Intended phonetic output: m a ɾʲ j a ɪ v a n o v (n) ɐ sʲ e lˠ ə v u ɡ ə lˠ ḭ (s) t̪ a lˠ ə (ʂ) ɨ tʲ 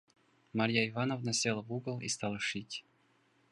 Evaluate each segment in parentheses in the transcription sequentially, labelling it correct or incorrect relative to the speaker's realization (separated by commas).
correct, correct, correct